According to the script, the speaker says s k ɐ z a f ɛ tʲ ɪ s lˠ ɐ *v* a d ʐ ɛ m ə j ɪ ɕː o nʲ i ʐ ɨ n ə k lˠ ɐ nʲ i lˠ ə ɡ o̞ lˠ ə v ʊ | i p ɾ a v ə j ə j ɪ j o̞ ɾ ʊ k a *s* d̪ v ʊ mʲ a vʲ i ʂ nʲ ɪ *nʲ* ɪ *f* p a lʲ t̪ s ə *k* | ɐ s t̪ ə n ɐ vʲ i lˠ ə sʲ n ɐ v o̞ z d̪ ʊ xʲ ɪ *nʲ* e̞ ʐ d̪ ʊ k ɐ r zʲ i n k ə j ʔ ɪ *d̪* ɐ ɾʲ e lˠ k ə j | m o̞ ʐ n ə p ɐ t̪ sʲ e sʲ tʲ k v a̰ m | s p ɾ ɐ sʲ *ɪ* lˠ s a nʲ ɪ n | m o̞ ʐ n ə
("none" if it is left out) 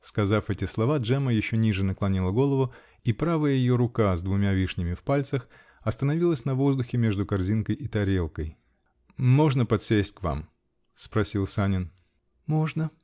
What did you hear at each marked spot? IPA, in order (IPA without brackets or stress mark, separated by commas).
v, z, mʲ, f, x, mʲ, t̪, i